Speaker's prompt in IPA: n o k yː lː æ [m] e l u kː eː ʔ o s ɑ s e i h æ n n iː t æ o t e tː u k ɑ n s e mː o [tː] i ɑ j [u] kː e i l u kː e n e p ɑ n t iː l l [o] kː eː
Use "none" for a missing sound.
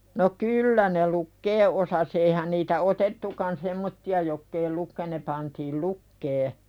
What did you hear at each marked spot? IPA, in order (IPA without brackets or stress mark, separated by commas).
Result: n, tː, o, u